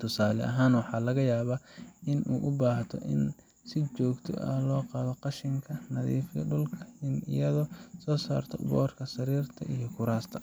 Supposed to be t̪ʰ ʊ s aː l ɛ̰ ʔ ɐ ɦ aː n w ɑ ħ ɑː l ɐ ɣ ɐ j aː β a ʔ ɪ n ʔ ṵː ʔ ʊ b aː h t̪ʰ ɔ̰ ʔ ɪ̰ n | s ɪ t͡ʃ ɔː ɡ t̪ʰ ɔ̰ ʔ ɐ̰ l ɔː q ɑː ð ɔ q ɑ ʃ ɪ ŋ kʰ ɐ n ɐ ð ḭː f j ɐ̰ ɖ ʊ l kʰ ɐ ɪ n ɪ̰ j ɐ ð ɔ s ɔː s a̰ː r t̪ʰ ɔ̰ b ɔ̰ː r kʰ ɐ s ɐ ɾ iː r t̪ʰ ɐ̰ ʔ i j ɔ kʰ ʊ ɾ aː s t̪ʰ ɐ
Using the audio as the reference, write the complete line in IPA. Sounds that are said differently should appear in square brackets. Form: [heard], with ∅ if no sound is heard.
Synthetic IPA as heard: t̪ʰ ʊ s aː l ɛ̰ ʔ ɐ ɦ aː n w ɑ ħ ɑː l ɐ ɣ ɐ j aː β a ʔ ɪ n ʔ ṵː ʔ ʊ b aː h t̪ʰ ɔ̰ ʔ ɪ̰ n | s ɪ t͡ʃ ɔː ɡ t̪ʰ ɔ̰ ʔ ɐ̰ l ɔː q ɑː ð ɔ q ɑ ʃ ɪ ŋ kʰ ɐ n ɐ ð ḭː f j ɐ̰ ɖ ʊ l kʰ ɐ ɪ n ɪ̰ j ɐ ð ɔ s ɔː s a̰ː r t̪ʰ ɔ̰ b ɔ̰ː r kʰ ɐ s ɐ ɾ iː r t̪ʰ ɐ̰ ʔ i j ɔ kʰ ʊ ɾ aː s t̪ʰ ɐ